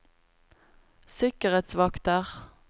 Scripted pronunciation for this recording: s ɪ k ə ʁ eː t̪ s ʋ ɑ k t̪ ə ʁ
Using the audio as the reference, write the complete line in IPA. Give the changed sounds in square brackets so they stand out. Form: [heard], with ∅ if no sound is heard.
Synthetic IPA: s ɪ k ə ʁ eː t̪ s ʋ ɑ k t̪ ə ʁ